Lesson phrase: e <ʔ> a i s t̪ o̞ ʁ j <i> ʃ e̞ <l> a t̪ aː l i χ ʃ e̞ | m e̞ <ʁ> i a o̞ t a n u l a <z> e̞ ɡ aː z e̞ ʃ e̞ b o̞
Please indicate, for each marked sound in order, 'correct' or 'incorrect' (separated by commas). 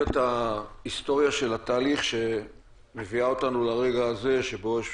incorrect, incorrect, correct, incorrect, incorrect